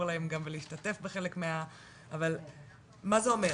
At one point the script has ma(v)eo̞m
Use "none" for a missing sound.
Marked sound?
z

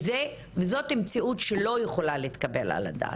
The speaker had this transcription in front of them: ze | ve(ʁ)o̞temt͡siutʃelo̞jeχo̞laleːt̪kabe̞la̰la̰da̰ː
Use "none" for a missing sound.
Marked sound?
z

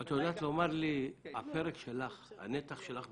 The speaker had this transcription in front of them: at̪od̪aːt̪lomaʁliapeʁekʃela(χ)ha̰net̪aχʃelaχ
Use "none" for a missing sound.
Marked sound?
χ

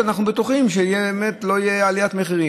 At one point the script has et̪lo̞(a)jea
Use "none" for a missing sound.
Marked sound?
i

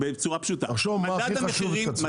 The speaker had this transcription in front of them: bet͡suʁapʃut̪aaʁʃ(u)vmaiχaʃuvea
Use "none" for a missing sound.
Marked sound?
o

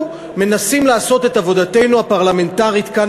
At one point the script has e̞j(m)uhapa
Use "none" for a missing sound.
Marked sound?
n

